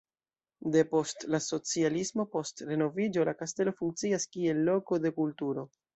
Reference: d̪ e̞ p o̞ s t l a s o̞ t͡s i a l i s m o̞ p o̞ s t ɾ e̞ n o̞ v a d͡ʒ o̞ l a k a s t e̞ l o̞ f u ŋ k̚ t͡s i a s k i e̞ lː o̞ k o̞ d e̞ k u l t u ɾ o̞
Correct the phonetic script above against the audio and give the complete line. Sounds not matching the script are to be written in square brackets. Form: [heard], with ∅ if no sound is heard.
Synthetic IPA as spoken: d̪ e̞ p o̞ s t l a s o̞ t͡s i a l i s m o̞ p o̞ s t ɾ e̞ n o̞ v [i] d͡ʒ o̞ l a k a s t e̞ l o̞ f u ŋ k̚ t͡s i a s k i e̞ lː o̞ k o̞ d e̞ k u l t u ɾ o̞

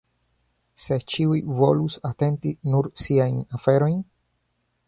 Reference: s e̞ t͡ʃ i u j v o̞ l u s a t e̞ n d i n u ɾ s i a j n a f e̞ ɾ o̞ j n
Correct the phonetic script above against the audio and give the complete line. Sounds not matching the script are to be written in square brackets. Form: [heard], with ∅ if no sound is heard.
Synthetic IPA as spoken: s e̞ t͡ʃ i u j v o̞ l u s a t e̞ n [t] i n u ɾ s i a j n a f e̞ ɾ o̞ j n

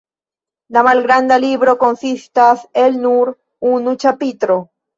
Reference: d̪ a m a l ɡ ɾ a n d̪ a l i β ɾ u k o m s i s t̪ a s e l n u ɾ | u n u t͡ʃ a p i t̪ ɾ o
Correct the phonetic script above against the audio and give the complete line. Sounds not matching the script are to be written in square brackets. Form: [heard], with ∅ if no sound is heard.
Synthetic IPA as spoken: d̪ a m a l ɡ ɾ a n d̪ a l i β ɾ [o] k o [n] s i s t̪ a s e l n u ɾ | u n u t͡ʃ a p i t̪ ɾ o

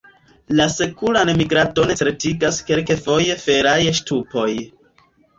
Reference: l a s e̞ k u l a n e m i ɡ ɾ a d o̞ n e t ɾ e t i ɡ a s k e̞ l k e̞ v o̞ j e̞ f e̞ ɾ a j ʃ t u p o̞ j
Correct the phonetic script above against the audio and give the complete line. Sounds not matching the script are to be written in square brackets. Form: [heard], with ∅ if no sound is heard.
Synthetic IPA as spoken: l a s e̞ k u l a n e m i ɡ ɾ a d o̞ n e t ɾ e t i ɡ a s k e̞ l k e̞ [f] o̞ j e̞ f e̞ ɾ a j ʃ t u p o̞ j

